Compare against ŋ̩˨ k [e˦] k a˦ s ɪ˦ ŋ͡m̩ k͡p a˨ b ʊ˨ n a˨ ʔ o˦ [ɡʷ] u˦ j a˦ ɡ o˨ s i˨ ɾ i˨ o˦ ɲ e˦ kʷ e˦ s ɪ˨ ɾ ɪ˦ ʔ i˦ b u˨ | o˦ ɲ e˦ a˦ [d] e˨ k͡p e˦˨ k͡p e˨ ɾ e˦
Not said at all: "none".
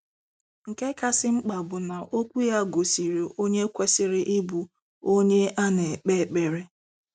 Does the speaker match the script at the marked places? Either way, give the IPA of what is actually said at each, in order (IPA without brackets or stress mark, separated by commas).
e˦, kʷ, n